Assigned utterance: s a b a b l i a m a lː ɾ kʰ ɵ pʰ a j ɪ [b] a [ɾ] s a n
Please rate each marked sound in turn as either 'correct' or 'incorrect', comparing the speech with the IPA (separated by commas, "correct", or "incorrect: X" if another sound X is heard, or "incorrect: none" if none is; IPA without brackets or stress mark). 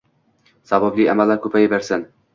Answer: correct, correct